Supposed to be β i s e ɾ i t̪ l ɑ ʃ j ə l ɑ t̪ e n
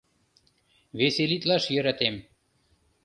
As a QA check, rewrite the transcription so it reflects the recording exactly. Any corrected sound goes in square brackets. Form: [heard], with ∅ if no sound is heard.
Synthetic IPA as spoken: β [e] s e [l] i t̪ l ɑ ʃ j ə [ɾ] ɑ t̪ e [m]